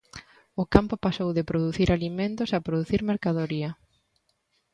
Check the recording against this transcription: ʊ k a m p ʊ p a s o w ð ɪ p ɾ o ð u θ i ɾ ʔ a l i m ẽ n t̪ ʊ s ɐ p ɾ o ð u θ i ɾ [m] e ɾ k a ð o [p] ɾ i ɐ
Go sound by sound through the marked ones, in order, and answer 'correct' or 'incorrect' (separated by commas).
correct, incorrect